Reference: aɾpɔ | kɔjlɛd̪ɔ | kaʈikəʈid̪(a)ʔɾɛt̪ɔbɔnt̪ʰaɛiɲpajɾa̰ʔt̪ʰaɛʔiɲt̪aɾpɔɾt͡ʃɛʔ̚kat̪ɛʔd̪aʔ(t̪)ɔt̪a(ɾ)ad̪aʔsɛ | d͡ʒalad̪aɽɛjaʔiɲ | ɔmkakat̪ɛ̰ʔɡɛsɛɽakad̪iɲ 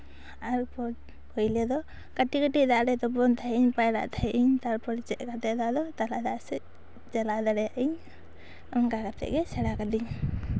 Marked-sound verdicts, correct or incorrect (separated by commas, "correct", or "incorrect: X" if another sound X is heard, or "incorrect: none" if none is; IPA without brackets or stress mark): correct, incorrect: d̪, incorrect: l